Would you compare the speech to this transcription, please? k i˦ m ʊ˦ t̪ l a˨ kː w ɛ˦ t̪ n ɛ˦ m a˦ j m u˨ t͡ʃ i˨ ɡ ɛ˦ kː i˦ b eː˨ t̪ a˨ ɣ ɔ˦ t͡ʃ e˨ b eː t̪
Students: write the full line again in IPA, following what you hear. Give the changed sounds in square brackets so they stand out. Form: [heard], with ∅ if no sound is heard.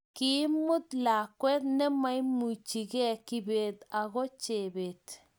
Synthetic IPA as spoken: k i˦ m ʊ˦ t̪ l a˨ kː w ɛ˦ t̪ n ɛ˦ m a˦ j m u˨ t͡ʃ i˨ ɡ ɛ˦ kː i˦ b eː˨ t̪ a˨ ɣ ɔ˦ t͡ʃ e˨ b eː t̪